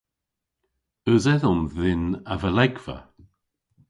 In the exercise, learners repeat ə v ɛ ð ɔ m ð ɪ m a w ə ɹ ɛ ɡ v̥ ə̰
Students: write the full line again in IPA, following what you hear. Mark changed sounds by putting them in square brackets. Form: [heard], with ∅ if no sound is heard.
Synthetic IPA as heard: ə [z] ɛ ð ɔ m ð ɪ [n] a [v] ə [l] ɛ ɡ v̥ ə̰